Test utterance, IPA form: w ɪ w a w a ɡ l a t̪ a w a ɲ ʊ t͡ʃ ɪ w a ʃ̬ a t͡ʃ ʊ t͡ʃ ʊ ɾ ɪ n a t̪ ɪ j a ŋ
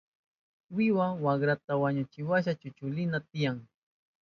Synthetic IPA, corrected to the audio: w ɪ w a w a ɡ ɾ a t̪ a w a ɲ ʊ t͡ʃ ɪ w a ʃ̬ a t͡ʃ ʊ t͡ʃ ʊ l ɪ n a t̪ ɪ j a ŋ